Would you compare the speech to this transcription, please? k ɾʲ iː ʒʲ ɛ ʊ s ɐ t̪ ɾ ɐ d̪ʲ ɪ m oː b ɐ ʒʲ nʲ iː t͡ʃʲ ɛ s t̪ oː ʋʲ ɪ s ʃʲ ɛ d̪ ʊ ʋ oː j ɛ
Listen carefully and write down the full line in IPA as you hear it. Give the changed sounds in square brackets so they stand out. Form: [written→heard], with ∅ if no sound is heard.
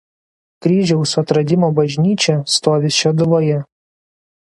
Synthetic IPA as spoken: k ɾʲ iː ʒʲ ɛ ʊ s ɐ t̪ ɾ ɐ d̪ʲ ɪ m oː b ɐ ʒʲ nʲ iː t͡ʃʲ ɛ s t̪ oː ʋʲ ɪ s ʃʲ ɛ d̪ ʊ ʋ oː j ɛ